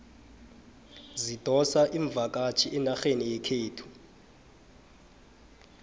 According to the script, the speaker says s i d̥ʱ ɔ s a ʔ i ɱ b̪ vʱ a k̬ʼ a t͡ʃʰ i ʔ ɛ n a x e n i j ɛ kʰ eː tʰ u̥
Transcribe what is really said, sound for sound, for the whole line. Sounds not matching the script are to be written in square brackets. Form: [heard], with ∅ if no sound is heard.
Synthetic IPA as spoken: [z] i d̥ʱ ɔ s a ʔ i ɱ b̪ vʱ a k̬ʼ a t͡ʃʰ i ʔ ɛ n a x e n i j ɛ kʰ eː tʰ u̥